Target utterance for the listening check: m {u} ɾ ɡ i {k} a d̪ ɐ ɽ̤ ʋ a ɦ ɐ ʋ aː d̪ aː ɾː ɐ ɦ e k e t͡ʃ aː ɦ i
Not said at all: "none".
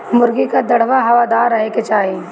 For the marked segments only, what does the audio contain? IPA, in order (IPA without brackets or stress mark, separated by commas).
ʊ, k